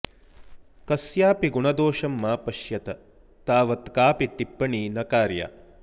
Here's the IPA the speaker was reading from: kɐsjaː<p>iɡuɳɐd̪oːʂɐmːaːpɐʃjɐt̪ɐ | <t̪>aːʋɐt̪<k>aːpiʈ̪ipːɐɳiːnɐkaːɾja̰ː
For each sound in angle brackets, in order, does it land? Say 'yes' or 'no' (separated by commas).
yes, yes, yes